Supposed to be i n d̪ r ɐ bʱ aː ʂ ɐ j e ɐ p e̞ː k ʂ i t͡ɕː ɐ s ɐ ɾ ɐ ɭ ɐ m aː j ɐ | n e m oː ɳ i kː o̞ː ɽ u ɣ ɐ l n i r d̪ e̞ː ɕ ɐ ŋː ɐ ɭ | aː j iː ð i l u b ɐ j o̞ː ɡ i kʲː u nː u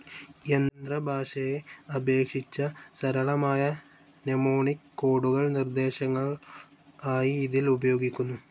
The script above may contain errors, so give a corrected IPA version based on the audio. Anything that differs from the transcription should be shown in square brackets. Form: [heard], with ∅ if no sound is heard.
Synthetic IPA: [e] n d̪ r ɐ bʱ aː ʂ ɐ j e ɐ [b] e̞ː k ʂ i t͡ɕː ɐ s ɐ ɾ ɐ ɭ ɐ m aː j ɐ | n e m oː ɳ i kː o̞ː ɽ u ɣ ɐ [ɭ] n i r d̪ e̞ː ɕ ɐ ŋː ɐ ɭ | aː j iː ð i l u b ɐ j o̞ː ɡ i kʲː u nː u